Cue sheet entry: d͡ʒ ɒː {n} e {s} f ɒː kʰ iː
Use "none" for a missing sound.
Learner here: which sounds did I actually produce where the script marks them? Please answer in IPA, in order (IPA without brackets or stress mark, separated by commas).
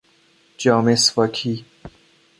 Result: m, s